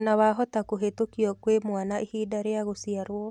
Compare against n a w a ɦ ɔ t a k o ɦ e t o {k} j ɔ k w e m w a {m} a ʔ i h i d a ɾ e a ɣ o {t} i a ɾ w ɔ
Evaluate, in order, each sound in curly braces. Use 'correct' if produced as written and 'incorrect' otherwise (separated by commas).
correct, incorrect, incorrect